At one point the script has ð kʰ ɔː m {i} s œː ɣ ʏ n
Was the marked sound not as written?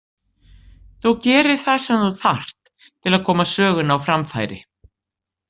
yes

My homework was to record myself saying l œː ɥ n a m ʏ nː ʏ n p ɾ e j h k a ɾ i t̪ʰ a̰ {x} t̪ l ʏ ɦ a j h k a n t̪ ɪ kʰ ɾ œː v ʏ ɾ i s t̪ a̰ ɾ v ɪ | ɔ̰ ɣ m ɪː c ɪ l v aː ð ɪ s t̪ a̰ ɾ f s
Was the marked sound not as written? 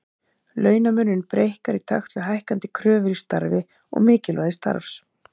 no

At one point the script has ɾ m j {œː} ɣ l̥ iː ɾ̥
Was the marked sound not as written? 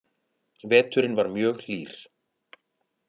no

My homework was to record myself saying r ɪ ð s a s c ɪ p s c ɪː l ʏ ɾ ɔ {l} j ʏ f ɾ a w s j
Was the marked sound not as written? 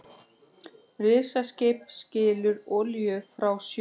no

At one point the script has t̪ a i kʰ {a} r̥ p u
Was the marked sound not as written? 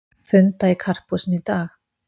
no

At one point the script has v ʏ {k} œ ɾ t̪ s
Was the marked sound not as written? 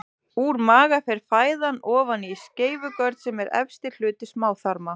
no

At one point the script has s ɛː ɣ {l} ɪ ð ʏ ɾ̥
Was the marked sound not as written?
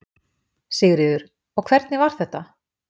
yes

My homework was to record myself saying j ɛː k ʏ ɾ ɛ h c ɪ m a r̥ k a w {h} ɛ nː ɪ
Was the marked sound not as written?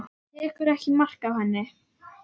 no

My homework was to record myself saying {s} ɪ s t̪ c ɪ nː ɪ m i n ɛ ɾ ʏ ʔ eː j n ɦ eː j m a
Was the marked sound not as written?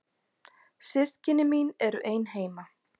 no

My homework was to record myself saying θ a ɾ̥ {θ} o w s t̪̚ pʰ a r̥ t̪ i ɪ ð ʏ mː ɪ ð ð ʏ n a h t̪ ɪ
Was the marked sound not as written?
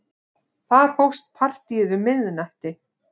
yes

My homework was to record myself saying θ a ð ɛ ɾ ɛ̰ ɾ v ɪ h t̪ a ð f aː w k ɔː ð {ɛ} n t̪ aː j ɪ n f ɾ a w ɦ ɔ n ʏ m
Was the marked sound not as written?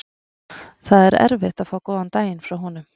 yes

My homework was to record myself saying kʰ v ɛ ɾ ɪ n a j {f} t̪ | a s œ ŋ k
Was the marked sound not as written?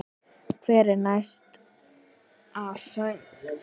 yes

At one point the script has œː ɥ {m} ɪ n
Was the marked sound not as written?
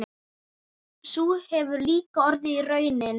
yes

